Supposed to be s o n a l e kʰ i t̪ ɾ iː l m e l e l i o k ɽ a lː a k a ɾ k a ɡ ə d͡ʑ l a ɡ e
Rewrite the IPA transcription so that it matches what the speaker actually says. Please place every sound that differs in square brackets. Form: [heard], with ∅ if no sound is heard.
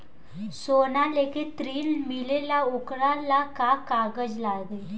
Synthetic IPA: s o n a l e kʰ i t̪ ɾ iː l m [i] l e l [a] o k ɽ a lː a k a [∅] k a ɡ ə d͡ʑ l a ɡ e